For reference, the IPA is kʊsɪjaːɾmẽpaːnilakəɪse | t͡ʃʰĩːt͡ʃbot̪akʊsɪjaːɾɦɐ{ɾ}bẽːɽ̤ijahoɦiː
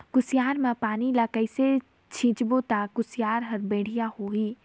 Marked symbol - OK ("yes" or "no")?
yes